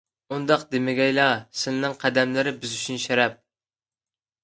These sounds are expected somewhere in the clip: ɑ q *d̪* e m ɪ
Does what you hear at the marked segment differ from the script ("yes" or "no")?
no